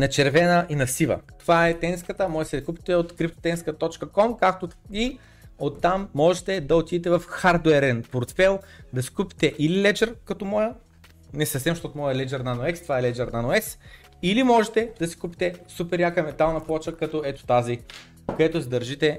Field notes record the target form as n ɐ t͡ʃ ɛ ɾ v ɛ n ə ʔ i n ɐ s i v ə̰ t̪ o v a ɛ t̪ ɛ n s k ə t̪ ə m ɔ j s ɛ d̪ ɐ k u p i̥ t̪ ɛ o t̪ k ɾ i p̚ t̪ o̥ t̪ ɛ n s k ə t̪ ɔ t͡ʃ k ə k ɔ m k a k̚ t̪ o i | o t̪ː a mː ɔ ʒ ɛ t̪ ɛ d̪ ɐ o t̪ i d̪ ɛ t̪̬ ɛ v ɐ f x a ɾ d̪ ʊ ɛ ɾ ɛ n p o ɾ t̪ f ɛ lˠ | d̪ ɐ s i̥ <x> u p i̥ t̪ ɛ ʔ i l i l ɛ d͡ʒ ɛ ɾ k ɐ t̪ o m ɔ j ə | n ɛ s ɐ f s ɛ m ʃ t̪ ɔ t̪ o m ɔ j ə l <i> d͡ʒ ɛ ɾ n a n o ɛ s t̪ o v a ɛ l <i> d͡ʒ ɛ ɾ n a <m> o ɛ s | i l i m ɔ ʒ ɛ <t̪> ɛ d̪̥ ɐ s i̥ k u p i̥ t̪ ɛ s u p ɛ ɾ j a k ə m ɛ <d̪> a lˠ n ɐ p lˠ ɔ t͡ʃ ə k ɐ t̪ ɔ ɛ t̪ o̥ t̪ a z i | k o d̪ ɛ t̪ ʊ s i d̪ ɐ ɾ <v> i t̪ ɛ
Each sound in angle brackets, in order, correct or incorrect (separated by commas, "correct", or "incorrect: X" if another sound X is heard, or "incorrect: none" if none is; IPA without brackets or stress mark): incorrect: k, incorrect: ɛ, incorrect: ɛ, incorrect: n, correct, incorrect: t̪, incorrect: ʒ